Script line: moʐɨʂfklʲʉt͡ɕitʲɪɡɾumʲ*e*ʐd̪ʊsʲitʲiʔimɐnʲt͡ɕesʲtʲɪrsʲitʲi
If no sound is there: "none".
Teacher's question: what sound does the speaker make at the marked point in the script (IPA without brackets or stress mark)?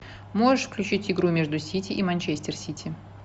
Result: e